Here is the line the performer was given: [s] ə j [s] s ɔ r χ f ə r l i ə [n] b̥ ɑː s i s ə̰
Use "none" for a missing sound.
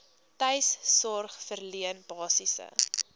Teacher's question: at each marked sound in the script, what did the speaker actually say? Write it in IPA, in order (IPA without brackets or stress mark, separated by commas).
t, s, n